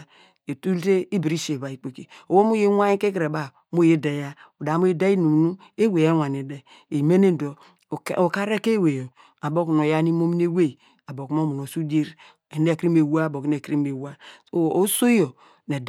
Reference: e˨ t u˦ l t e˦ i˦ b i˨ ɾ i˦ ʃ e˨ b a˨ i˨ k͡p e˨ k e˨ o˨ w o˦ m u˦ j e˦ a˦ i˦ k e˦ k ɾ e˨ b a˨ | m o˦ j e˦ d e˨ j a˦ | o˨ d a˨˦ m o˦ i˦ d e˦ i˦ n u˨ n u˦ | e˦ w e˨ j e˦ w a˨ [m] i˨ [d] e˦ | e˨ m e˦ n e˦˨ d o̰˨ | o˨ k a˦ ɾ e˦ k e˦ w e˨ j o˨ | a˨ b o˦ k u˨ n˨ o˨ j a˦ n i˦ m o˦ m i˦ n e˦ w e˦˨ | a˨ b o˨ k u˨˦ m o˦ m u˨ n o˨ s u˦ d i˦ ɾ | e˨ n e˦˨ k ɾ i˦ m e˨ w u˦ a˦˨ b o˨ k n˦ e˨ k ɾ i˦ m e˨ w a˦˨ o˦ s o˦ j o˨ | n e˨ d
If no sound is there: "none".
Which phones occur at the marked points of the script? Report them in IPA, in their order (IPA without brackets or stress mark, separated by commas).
n, d